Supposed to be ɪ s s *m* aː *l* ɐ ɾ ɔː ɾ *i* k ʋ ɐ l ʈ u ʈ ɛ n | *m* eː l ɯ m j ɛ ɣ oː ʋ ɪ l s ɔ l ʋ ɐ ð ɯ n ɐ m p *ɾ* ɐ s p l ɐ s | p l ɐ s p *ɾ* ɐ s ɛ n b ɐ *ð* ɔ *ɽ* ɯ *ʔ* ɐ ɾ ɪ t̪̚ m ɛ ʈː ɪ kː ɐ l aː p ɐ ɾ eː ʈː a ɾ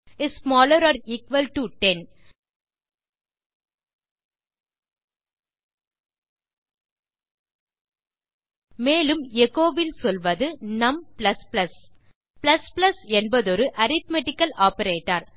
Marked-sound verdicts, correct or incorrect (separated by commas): correct, correct, incorrect, correct, incorrect, incorrect, correct, incorrect, correct